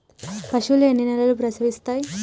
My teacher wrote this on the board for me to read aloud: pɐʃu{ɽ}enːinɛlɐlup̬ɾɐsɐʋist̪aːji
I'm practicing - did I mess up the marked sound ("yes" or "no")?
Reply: yes